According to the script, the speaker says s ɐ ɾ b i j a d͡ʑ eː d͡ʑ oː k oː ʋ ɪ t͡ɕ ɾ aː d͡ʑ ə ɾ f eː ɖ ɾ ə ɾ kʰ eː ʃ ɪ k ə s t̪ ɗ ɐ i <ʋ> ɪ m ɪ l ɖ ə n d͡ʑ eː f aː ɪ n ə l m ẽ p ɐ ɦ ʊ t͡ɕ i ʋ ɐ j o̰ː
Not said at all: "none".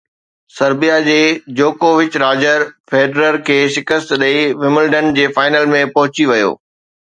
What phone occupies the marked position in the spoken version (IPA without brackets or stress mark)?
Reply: ʋ